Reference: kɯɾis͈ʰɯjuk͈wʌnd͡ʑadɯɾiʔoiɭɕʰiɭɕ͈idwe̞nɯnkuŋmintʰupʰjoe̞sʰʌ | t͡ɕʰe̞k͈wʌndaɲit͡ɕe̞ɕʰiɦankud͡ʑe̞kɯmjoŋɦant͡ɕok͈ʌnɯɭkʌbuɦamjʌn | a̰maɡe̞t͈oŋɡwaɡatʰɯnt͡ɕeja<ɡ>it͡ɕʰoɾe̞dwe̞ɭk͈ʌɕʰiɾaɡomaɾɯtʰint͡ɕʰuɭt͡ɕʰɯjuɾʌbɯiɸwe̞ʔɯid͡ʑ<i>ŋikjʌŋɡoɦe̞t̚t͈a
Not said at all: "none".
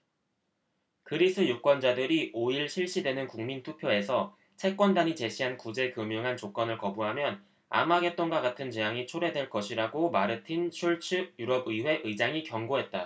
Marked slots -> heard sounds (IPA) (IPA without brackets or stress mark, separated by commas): ŋ, a